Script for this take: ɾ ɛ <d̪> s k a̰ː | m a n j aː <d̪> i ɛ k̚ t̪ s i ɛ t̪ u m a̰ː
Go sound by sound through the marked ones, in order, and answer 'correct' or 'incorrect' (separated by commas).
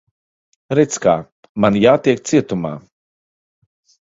incorrect, incorrect